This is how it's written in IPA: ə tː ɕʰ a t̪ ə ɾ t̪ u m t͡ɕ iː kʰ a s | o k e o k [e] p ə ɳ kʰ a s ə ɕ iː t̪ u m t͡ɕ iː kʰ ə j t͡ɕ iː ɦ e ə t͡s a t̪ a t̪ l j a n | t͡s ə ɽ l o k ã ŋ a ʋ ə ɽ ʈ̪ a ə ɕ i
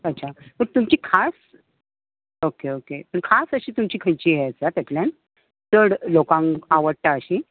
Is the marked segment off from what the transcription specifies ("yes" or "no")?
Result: no